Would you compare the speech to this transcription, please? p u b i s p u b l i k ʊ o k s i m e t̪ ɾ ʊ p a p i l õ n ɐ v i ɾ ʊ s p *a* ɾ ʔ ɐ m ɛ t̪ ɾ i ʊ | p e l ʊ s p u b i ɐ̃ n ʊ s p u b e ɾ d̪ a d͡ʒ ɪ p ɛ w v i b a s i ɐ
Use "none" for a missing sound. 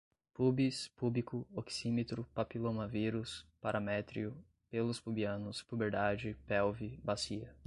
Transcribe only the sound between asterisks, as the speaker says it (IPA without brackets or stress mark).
a